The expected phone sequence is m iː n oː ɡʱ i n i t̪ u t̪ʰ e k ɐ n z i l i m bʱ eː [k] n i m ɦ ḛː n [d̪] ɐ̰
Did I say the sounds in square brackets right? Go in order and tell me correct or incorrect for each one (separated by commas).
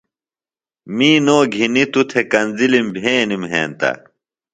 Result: incorrect, incorrect